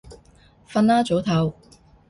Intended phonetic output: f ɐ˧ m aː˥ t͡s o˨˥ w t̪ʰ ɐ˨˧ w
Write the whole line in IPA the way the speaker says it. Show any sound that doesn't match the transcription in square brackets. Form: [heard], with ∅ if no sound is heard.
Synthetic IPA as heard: f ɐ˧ [n] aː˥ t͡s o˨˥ w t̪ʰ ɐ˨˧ w